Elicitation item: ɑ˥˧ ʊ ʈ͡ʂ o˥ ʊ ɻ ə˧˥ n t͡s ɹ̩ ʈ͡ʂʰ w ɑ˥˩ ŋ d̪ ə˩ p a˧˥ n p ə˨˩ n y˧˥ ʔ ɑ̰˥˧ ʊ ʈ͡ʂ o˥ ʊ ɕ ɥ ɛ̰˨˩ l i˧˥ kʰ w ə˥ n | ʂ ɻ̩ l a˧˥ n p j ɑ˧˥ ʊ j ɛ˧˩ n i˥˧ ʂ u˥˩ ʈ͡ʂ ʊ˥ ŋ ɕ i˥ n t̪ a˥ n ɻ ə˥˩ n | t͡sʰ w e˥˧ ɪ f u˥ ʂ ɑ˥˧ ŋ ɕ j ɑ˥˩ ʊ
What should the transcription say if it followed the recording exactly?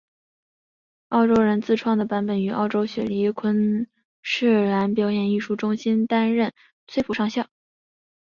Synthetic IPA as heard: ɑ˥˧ ʊ ʈ͡ʂ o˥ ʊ ɻ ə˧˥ n t͡s ɹ̩ ʈ͡ʂʰ w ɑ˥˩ ŋ d̪ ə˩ p a˧˥ n p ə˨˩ n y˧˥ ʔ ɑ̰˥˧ ʊ ʈ͡ʂ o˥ ʊ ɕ ɥ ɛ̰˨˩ l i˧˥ kʰ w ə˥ n | ʂ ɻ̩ l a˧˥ n p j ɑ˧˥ ʊ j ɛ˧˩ n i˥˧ ʂ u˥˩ ʈ͡ʂ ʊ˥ ŋ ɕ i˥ n t̪ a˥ n ɻ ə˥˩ n | t͡sʰ w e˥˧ ɪ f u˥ ʂ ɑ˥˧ ŋ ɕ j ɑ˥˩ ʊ